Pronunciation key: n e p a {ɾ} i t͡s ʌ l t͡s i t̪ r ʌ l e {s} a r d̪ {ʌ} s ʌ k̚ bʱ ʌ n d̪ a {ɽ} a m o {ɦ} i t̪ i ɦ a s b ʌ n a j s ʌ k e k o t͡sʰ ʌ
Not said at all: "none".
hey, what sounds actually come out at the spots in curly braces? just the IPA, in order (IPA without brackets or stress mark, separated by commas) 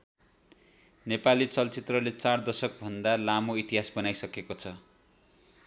l, t͡s, ʌ, l, none